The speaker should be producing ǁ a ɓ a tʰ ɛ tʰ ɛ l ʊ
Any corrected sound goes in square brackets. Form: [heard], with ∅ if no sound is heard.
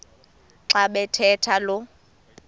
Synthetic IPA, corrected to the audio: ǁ a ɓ [ɛ] tʰ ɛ tʰ [a] l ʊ